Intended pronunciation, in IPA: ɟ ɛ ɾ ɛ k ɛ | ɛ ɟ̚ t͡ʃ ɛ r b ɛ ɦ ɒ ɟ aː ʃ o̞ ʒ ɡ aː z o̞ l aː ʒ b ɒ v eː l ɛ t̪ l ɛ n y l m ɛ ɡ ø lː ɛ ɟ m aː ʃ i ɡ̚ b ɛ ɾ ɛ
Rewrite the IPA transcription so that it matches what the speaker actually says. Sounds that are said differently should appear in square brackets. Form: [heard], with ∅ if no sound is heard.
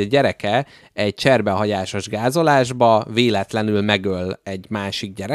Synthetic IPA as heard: ɟ ɛ ɾ ɛ k ɛ | ɛ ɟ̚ t͡ʃ ɛ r b ɛ ɦ ɒ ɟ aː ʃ o̞ ʒ ɡ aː z o̞ l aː ʒ b ɒ v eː l ɛ t̪ l ɛ n y l m ɛ ɡ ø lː ɛ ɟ m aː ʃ i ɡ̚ [ɟ] ɛ ɾ ɛ